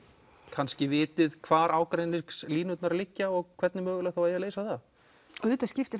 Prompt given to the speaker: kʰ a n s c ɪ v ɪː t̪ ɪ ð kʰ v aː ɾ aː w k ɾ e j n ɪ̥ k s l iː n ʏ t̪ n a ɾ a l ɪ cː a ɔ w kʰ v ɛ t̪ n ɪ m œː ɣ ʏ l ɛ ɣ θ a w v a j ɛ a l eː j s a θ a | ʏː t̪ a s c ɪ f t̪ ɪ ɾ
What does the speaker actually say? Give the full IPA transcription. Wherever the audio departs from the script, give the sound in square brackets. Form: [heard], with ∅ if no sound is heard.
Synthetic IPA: kʰ a n s c ɪ v ɪː t̪ ɪ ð kʰ v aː ɾ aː w k ɾ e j n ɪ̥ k s l iː n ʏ t̪ n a ɾ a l ɪ cː a ɔ [ɣ] kʰ v ɛ t̪ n ɪ m œː ɣ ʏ l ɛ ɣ θ a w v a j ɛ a l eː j s a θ a | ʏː t̪ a s c ɪ f t̪ ɪ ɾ